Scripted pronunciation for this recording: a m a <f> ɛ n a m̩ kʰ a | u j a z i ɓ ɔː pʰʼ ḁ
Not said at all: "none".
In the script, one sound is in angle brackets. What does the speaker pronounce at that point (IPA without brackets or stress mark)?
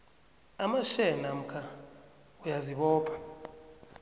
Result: ʃ